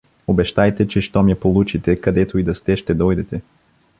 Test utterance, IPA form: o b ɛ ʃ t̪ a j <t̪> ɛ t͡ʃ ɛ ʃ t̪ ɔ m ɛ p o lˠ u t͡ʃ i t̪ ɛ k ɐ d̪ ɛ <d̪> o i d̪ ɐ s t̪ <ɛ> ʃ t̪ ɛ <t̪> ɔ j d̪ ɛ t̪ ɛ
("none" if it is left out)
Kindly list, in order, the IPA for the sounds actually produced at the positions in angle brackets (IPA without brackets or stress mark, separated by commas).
t̪, t̪, ɛ, d̪